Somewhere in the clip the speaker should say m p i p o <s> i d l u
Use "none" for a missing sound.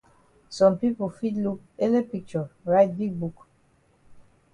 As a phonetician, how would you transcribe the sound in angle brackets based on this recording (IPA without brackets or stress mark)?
f